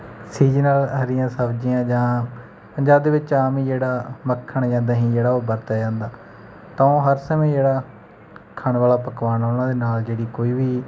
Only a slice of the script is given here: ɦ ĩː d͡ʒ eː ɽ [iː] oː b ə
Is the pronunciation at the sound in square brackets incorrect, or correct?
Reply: incorrect